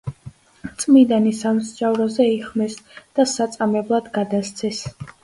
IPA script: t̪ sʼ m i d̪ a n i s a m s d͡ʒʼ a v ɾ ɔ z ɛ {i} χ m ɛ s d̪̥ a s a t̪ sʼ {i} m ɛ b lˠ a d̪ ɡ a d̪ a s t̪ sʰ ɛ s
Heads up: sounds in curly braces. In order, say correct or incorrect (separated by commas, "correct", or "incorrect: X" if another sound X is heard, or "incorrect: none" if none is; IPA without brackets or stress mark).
correct, incorrect: a